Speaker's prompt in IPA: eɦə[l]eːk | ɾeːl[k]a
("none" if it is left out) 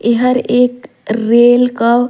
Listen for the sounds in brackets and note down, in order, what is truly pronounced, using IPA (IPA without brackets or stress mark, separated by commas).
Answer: ɾ, k